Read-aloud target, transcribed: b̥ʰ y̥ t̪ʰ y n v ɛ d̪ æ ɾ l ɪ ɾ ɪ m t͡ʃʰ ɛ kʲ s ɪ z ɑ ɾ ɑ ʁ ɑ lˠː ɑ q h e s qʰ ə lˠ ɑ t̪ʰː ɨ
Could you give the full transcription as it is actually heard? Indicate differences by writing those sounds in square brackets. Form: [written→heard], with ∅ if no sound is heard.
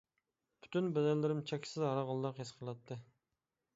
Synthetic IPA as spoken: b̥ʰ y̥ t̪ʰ y n [v→b] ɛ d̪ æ ɾ l ɪ ɾ ɪ m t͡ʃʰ ɛ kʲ s ɪ z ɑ ɾ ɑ ʁ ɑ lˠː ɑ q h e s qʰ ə lˠ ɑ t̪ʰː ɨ